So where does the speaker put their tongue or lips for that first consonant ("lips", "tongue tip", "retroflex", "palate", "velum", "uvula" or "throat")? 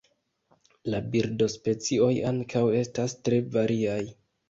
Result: tongue tip